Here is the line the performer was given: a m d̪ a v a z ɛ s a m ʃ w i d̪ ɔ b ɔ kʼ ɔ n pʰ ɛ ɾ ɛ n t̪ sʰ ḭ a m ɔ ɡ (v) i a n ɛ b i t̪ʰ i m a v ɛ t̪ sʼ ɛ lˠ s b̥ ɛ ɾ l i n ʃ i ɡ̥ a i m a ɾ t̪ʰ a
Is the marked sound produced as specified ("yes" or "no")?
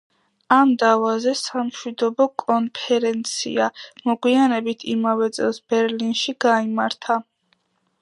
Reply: no